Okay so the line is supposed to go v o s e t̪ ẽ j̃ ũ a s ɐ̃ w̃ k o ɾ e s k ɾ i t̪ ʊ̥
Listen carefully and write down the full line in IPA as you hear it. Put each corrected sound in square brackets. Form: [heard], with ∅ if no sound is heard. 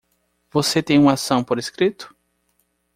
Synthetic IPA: v o s e t̪ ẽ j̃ ũ a s ɐ̃ w̃ [p] o ɾ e s k ɾ i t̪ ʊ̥